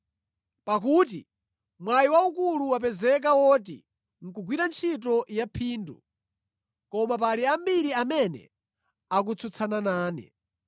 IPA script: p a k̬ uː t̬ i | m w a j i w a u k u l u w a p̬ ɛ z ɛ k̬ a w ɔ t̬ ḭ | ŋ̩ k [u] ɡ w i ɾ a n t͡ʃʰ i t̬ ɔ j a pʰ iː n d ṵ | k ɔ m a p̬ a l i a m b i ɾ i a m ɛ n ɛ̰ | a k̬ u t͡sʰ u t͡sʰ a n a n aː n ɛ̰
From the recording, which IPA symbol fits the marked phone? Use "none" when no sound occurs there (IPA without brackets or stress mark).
u